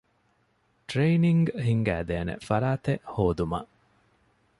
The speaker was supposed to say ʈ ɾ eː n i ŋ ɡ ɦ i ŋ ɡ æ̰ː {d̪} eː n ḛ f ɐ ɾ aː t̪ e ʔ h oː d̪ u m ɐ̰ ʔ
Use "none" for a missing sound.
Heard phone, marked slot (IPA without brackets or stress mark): d̪